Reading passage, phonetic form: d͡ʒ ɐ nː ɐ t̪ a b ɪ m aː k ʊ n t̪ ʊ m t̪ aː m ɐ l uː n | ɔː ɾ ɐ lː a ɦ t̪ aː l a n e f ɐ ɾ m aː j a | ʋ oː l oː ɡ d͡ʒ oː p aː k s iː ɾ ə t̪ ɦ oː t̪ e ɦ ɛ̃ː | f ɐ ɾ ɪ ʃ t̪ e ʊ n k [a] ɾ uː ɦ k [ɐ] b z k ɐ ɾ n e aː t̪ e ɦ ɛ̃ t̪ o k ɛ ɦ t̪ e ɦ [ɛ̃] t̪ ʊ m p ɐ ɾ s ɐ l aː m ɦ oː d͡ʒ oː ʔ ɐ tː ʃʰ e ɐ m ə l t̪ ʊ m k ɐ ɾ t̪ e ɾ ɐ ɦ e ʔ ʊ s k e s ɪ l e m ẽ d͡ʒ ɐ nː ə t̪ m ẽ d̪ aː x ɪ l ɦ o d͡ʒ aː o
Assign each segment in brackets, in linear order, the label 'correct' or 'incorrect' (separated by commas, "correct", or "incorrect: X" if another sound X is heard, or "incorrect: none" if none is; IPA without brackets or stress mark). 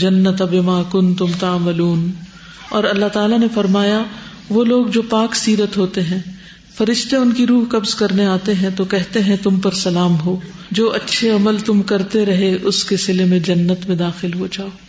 incorrect: i, correct, correct